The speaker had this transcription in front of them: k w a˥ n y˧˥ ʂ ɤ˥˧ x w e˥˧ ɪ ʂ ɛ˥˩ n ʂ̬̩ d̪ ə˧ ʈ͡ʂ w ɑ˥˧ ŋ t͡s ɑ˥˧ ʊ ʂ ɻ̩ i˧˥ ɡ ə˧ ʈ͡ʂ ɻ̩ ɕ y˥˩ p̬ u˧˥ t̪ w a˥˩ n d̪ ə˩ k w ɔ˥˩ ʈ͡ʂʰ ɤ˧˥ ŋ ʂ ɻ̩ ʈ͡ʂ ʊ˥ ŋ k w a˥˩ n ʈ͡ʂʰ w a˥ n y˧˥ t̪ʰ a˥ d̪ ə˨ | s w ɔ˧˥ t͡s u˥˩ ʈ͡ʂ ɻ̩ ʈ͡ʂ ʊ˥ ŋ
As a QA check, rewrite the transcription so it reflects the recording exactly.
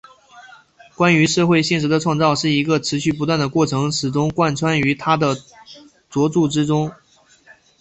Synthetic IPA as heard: k w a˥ n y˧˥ ʂ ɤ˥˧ x w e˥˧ ɪ ɕ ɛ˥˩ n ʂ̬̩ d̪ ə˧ ʈ͡ʂʰ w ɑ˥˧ ŋ t͡s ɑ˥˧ ʊ ʂ ɻ̩ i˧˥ ɡ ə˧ ʈ͡ʂʰ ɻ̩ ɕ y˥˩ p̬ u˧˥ t̪ w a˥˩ n d̪ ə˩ k w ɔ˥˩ ʈ͡ʂʰ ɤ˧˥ ŋ ʂ ɻ̩ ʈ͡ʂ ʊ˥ ŋ k w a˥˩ n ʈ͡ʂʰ w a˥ n y˧˥ t̪ʰ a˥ d̪ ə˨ | t͡s w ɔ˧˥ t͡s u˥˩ ʈ͡ʂ ɻ̩ ʈ͡ʂ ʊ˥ ŋ

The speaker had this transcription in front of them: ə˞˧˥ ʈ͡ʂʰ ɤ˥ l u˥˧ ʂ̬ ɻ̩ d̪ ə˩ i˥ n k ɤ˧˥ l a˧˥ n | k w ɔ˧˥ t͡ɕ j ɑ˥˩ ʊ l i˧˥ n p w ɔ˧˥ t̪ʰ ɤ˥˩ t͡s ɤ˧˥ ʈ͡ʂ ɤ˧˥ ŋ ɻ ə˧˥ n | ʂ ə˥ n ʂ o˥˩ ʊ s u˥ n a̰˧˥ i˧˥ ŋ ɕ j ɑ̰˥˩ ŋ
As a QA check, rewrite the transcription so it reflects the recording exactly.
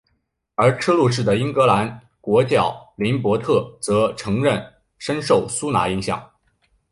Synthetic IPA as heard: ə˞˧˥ ʈ͡ʂʰ ɤ˥ l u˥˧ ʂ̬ ɻ̩ d̪ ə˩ i˥ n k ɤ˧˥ l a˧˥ n | k w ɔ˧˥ t͡ɕ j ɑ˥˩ ʊ l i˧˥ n p w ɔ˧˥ t̪ʰ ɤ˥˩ t͡s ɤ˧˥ ʈ͡ʂʰ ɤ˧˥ ŋ ɻ ə˥˩ n | ʂ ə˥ n ʂ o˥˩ ʊ s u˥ n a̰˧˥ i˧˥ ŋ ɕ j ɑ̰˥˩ ŋ

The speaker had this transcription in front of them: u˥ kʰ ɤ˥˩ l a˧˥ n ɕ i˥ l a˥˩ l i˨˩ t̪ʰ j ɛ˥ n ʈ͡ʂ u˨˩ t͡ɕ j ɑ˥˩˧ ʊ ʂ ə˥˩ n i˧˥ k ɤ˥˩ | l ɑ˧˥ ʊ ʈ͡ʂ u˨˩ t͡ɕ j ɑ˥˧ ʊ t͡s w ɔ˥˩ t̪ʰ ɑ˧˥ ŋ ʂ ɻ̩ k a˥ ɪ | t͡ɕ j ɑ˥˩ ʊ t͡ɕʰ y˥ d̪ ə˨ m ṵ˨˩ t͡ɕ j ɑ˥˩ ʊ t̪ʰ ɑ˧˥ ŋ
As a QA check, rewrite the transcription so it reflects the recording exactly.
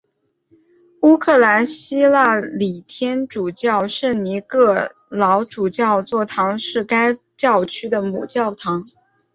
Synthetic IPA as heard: u˥ kʰ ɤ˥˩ l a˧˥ n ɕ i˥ l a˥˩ l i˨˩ t̪ʰ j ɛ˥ n ʈ͡ʂ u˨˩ t͡ɕ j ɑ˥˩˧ ʊ ʂ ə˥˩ n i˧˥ k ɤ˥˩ | l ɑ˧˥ ʊ ʈ͡ʂ u˨˩ t͡ɕ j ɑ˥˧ ʊ t͡s w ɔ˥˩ t̪ʰ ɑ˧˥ ŋ ʂ ɻ̩ k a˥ ɪ | t͡ɕ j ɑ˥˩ ʊ t͡ɕʰ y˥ d̪ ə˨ m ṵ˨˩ t͡ɕ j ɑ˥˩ ʊ t̪ʰ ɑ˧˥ ŋ

